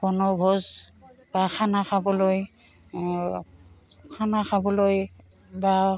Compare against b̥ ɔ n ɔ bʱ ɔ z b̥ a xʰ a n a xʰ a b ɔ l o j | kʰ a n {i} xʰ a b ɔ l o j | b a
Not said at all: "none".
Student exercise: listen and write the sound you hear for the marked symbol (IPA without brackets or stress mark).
a